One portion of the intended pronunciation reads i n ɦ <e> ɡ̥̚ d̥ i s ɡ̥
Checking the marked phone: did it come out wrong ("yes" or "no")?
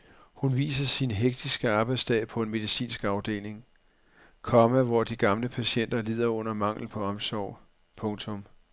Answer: no